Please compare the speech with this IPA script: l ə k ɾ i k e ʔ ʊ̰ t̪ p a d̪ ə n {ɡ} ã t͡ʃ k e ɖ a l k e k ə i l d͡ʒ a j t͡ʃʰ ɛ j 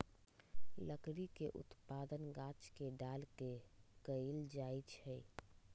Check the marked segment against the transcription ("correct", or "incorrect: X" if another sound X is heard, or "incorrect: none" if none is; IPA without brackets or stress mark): correct